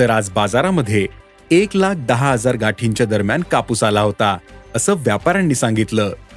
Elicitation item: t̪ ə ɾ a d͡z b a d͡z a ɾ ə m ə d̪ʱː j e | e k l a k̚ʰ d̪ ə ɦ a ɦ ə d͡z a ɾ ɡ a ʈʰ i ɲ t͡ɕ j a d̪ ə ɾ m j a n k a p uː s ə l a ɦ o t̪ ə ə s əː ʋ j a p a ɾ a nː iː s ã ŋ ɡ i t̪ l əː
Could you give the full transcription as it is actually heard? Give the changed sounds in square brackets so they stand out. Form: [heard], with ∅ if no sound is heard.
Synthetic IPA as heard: t̪ ə ɾ a d͡z b a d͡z a ɾ [a] m ə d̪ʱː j e | e k l a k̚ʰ d̪ ə ɦ a ɦ ə d͡z a ɾ ɡ a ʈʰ i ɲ t͡ɕ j a d̪ ə ɾ m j a n k a p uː s [a] l a ɦ o t̪ [a] ə s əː ʋ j a p a ɾ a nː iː s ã ŋ ɡ i t̪ l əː